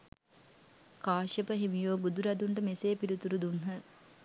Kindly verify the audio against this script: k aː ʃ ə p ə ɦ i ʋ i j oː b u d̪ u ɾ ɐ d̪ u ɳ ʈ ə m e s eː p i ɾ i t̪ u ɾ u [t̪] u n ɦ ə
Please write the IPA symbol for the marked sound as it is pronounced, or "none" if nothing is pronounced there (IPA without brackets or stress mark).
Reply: d̪